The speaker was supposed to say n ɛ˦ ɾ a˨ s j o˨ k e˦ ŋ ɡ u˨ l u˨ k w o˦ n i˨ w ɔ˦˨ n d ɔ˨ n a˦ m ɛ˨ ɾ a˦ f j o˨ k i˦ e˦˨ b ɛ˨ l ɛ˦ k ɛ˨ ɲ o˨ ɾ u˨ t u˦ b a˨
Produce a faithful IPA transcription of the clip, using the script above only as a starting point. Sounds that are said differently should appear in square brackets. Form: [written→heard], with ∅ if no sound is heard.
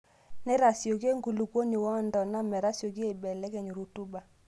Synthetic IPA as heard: n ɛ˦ ɾ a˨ s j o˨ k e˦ ŋ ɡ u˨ l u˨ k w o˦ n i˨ w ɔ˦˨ n d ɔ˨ n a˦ m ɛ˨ ɾ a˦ [f→s] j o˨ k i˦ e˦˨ b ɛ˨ l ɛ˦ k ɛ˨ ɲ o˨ ɾ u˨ t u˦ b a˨